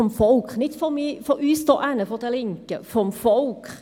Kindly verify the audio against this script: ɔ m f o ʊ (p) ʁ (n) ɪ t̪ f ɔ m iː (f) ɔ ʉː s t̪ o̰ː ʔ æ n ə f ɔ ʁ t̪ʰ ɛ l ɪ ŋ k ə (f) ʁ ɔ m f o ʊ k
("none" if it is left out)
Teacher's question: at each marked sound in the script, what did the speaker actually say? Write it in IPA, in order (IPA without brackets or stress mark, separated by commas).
k, n, f, f